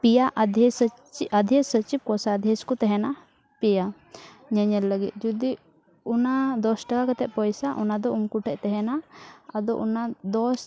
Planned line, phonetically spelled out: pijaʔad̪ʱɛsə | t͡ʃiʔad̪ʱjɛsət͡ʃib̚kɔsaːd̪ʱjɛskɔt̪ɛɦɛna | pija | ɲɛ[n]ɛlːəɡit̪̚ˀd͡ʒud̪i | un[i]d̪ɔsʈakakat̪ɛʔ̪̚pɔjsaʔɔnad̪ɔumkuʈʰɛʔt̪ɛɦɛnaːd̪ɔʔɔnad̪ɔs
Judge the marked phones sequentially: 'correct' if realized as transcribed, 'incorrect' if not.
incorrect: ɲ, incorrect: a

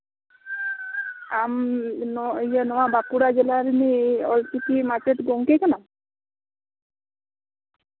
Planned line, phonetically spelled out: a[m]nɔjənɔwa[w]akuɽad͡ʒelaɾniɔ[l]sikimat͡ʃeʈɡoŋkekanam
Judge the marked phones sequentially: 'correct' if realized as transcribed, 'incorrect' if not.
correct, incorrect: b, correct

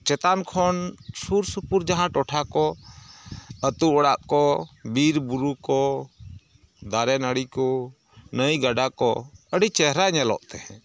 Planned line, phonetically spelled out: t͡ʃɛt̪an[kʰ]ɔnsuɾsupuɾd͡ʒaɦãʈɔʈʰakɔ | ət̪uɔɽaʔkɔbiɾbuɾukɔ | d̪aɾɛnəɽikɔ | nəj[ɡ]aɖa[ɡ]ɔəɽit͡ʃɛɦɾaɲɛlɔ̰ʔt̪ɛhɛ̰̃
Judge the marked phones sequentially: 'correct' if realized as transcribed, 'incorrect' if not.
correct, correct, incorrect: k

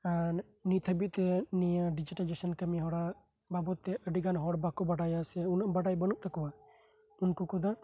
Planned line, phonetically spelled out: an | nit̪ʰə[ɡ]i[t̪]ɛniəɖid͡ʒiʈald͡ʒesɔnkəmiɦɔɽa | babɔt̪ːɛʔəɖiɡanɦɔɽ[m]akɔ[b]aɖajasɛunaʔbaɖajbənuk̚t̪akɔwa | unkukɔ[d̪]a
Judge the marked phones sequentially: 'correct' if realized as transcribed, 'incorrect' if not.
incorrect: b, correct, incorrect: b, correct, correct

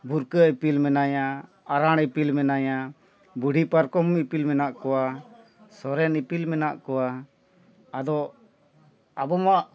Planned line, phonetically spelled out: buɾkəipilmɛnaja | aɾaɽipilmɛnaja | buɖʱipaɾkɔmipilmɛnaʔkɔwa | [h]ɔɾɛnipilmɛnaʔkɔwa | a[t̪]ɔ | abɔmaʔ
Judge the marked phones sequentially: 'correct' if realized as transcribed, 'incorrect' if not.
incorrect: s, incorrect: d̪

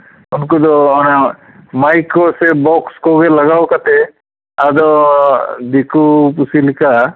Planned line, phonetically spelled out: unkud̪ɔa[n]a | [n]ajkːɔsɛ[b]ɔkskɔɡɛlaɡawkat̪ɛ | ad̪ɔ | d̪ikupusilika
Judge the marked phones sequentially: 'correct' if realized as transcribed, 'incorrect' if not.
correct, incorrect: m, correct

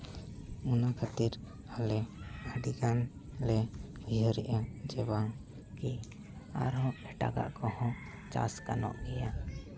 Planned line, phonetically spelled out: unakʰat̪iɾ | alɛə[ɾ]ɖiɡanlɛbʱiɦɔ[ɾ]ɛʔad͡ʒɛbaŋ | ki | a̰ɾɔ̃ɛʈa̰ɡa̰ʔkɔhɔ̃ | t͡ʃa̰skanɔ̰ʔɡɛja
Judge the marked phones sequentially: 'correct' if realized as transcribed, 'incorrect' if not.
incorrect: none, correct

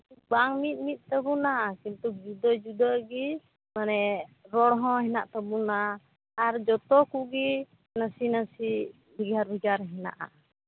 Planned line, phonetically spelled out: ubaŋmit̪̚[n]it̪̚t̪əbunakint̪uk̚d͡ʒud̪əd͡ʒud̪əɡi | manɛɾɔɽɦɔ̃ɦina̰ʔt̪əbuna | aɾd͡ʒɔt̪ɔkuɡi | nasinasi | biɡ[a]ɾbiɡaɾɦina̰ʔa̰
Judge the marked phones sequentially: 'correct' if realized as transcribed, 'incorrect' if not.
incorrect: m, correct

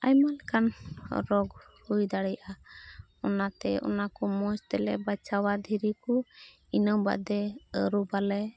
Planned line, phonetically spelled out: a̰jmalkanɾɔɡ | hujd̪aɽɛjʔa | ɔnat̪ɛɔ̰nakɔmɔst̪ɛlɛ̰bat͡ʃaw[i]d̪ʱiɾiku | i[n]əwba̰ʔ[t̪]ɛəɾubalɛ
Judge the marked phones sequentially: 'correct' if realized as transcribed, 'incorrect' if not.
incorrect: a, correct, incorrect: d̪

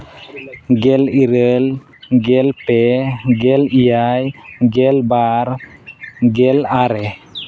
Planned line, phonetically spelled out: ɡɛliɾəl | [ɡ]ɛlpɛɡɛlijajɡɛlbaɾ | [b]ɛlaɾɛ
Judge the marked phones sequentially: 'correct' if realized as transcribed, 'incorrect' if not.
correct, incorrect: ɡ

